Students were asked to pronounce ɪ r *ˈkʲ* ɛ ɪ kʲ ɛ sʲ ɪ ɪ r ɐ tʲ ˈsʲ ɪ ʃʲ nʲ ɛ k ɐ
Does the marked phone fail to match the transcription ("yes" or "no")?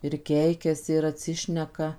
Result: no